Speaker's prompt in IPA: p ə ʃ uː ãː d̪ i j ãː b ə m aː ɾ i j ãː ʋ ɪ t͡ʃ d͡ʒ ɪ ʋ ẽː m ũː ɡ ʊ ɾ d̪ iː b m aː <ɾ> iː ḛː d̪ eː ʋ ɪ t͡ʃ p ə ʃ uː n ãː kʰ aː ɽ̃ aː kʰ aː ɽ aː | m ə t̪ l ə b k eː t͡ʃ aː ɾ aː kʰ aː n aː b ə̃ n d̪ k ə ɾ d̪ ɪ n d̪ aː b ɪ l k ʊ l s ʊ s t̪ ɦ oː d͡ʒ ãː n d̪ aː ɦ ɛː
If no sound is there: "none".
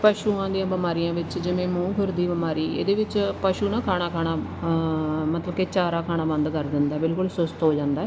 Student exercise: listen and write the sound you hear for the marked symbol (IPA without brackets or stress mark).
ɾ